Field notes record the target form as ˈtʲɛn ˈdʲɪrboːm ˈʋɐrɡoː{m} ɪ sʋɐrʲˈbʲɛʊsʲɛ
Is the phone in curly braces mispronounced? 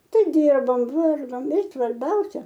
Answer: no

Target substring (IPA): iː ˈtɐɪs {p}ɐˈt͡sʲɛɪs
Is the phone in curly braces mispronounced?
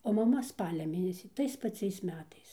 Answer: no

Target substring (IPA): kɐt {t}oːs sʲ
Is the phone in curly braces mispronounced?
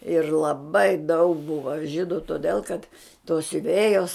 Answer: no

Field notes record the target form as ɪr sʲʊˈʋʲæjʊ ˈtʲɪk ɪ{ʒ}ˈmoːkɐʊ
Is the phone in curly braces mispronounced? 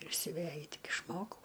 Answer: yes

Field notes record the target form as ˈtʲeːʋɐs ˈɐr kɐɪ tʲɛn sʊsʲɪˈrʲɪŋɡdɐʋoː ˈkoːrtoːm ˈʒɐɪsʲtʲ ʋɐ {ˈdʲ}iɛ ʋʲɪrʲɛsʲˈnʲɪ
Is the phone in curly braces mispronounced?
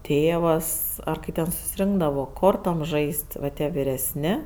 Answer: yes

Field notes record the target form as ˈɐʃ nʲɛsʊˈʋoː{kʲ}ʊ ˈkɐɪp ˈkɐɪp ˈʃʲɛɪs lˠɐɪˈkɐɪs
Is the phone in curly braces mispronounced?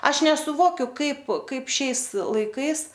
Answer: no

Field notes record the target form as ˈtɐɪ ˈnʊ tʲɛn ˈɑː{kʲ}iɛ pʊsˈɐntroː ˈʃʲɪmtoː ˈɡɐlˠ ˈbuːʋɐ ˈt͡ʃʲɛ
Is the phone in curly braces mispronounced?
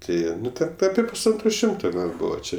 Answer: yes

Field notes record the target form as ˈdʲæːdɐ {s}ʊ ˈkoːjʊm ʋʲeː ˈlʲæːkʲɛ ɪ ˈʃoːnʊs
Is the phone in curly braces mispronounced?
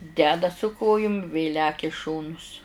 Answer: no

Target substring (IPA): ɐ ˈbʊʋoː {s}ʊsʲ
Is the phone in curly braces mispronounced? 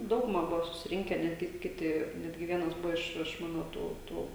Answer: no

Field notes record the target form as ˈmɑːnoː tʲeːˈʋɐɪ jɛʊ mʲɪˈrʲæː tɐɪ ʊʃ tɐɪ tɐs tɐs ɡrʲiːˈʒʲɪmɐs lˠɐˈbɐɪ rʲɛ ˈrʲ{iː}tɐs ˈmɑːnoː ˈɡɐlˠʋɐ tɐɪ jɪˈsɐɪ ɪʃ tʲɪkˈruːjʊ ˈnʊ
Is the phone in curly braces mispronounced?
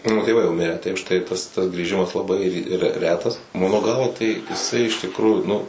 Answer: yes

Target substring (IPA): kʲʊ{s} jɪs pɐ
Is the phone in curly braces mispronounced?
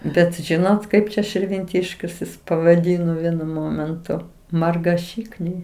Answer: no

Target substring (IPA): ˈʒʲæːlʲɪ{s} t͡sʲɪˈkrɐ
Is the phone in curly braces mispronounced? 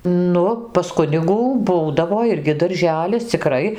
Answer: no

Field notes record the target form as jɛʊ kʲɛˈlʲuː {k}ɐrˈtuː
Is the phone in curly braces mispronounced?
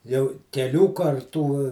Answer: no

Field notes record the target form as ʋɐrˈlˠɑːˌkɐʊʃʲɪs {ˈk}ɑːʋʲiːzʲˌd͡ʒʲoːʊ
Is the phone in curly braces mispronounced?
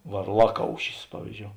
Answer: yes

